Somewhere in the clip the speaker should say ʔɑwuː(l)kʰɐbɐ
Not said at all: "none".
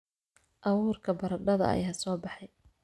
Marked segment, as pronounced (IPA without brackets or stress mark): r